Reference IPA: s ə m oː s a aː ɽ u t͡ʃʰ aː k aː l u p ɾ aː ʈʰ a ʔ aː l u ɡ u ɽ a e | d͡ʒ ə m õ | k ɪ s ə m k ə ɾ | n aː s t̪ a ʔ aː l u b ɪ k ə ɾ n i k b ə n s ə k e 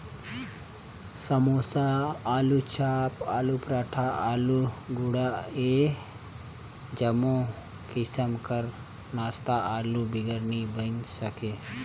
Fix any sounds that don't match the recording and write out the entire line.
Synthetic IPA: s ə m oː s a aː l u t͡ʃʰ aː p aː l u p ɾ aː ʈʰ a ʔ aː l u ɡ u ɽ a e | d͡ʒ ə m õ | k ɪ s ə m k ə ɾ | n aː s t̪ a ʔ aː l u b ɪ ɡ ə ɾ n i b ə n s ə k e